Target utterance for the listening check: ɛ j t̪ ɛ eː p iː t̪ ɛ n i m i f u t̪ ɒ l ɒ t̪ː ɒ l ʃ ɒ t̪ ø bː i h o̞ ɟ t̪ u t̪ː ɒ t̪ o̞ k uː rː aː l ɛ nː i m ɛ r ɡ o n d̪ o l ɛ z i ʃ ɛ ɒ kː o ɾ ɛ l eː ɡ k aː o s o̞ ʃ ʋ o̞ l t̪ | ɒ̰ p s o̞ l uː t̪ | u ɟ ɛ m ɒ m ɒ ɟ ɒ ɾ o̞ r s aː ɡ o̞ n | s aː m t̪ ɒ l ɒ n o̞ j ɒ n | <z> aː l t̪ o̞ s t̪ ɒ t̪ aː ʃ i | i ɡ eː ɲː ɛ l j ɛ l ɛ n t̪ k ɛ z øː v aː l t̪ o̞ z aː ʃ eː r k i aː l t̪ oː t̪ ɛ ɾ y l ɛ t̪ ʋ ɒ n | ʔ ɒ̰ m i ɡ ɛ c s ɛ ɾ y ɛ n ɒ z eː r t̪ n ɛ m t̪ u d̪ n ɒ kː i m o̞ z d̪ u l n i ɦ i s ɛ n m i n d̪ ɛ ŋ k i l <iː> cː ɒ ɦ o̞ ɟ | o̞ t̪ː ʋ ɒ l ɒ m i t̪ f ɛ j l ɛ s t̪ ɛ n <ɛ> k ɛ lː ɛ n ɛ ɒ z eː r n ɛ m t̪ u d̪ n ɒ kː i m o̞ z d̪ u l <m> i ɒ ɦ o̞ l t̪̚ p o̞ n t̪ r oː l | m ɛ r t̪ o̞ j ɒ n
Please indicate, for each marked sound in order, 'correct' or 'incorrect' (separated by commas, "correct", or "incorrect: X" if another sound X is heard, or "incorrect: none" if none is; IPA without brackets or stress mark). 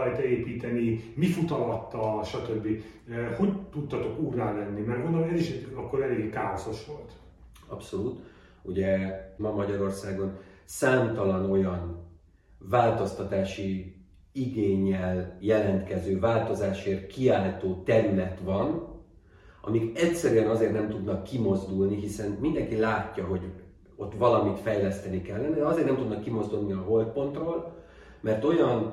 incorrect: v, incorrect: aː, incorrect: i, incorrect: n